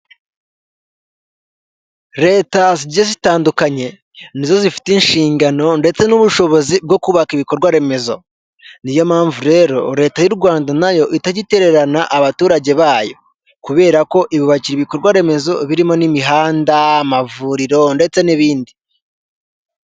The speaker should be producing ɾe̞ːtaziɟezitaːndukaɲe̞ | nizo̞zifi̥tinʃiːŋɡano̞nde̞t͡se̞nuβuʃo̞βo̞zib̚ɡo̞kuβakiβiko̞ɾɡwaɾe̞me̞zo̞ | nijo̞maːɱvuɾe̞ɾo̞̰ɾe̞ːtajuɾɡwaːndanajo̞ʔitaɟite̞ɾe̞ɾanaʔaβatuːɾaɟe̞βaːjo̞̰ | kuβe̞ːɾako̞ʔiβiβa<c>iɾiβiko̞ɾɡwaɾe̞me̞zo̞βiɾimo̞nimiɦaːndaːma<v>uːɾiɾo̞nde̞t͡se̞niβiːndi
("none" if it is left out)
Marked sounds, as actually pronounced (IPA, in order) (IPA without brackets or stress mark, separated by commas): c, v